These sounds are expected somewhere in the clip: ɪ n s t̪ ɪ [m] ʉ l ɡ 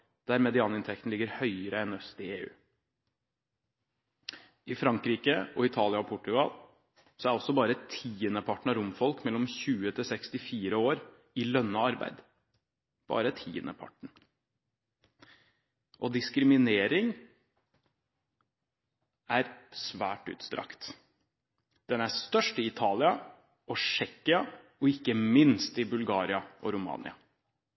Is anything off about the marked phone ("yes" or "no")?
yes